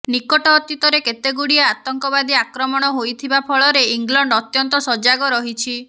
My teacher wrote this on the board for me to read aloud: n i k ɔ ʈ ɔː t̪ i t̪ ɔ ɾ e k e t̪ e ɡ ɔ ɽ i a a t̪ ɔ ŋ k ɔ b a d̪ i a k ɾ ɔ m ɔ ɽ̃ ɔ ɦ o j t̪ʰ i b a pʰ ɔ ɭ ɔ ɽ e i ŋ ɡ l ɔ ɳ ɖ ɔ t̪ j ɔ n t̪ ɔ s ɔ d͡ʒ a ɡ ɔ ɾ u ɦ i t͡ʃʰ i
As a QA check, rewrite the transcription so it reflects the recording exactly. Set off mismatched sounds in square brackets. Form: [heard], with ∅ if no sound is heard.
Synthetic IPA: n i k ɔ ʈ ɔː t̪ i t̪ ɔ ɾ e k e t̪ e ɡ [u] ɽ i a a t̪ ɔ ŋ k ɔ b a d̪ i a k ɾ ɔ m ɔ ɽ̃ ɔ ɦ o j t̪ʰ i b a pʰ ɔ ɭ ɔ [ɾ] e i ŋ ɡ l ɔ ɳ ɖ ɔ t̪ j ɔ n t̪ ɔ s ɔ d͡ʒ a ɡ ɔ ɾ [ɔ] ɦ i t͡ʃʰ i

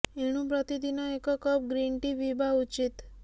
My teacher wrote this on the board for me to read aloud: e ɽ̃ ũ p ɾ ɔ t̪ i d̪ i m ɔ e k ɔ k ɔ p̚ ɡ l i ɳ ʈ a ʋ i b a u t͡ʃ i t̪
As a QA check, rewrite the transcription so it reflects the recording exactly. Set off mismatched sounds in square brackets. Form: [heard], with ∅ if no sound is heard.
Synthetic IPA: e ɽ̃ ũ p ɾ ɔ t̪ i d̪ i [n] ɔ e k ɔ k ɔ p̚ ɡ [ɾ] i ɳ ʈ [i] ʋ i b a u t͡ʃ i t̪

